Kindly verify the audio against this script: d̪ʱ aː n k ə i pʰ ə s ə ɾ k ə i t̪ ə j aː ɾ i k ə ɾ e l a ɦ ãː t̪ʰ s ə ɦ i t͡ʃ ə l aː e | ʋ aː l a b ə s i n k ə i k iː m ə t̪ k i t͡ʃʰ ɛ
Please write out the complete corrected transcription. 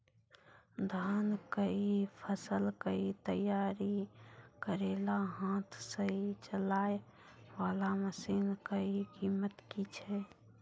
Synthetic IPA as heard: d̪ʱ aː n k ə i pʰ ə s ə l k ə i t̪ ə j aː ɾ i k ə ɾ e l a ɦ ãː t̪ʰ s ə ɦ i t͡ʃ ə l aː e | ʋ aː l a m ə s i n k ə i k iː m ə t̪ k i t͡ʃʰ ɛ